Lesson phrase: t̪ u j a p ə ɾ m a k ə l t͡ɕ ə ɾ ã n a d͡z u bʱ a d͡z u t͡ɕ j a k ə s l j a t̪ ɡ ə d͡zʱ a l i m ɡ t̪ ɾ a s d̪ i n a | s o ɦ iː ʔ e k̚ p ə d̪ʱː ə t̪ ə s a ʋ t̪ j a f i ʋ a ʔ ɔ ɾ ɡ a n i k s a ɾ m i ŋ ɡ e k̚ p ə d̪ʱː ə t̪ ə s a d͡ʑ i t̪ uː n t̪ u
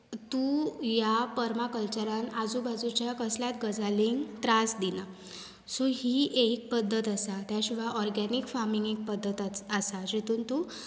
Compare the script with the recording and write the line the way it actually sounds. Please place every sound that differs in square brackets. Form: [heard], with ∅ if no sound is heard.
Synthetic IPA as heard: t̪ u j a p ə ɾ m a k ə l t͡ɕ ə ɾ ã n a d͡z u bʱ a d͡z u t͡ɕ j a k ə s l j a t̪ ɡ ə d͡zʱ a l i [ŋ] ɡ t̪ ɾ a s d̪ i n a | s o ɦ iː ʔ e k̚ p ə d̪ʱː ə t̪ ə s a [∅] t̪ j a [ɕ] i ʋ a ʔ ɔ ɾ ɡ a n i k [f] a ɾ m i ŋ ɡ e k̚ p ə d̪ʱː ə t̪ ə s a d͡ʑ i t̪ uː n t̪ u